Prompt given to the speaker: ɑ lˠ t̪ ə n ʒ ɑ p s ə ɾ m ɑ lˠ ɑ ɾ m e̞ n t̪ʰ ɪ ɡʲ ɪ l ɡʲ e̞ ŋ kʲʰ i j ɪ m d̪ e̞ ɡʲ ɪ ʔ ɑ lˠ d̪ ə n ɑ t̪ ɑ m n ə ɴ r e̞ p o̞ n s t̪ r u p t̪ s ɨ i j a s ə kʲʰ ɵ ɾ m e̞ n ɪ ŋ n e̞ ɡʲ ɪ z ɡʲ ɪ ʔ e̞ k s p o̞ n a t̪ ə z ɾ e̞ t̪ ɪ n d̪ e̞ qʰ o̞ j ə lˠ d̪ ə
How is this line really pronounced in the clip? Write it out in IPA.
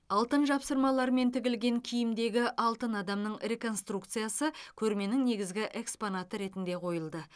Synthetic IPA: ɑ lˠ t̪ ə n ʒ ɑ p s ə ɾ m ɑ lˠ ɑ ɾ m e̞ n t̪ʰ ɪ ɡʲ ɪ l ɡʲ e̞ ŋ kʲʰ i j ɪ m d̪ e̞ ɡʲ ɪ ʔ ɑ lˠ t̪ ə n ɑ d̪ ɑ m n ə ɴ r e̞ k o̞ n s t̪ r u k t̪ s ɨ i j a s ə kʲʰ ɵ ɾ m e̞ n ɪ ŋ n e̞ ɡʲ ɪ z ɡʲ ɪ ʔ e̞ k s p o̞ n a t̪ ə ɾ e̞ t̪ ɪ n d̪ e̞ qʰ o̞ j ə lˠ d̪ ə